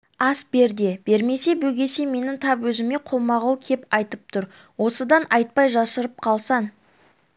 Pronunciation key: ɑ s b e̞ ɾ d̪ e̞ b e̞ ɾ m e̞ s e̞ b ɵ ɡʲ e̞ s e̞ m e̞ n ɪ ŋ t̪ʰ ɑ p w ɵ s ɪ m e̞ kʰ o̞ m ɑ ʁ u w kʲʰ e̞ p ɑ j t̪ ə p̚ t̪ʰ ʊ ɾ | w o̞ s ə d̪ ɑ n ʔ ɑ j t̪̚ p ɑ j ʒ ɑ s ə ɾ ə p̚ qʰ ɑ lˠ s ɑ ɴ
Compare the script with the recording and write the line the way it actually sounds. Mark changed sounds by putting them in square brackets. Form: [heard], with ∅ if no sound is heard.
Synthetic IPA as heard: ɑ s b e̞ ɾ d̪ e̞ b e̞ ɾ m e̞ s e̞ b ɵ ɡʲ e̞ s e̞ m e̞ n ɪ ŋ t̪ʰ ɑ p w ɵ [z] ɪ m e̞ [qʰ] o̞ m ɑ ʁ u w kʲʰ e̞ p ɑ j t̪ ə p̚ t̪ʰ ʊ ɾ | w o̞ s ə d̪ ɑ n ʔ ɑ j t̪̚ p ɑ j ʒ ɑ s ə ɾ ə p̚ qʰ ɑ lˠ s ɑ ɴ